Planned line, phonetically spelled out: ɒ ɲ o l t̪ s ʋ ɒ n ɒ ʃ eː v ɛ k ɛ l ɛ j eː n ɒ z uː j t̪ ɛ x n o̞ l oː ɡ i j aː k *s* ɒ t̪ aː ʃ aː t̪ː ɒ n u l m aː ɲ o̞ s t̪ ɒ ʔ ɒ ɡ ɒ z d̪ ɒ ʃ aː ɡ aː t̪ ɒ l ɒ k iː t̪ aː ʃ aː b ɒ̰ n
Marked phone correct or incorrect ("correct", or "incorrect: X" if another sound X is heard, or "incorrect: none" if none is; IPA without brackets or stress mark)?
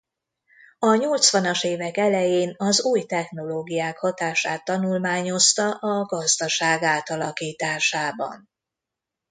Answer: incorrect: h